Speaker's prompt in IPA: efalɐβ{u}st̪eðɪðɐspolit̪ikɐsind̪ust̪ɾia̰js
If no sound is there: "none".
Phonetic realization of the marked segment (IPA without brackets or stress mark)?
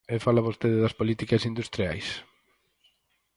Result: o